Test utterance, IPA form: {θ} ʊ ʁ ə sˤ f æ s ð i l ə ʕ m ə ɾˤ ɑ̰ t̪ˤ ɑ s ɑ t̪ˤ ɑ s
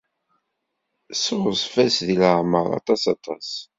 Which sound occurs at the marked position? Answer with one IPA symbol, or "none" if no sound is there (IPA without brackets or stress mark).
s